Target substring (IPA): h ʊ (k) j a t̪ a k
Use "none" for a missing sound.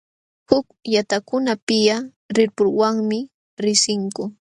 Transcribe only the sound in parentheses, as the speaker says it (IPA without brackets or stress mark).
k